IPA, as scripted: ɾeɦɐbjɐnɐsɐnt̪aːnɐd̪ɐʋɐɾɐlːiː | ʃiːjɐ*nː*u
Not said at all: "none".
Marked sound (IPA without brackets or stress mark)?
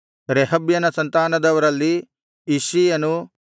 n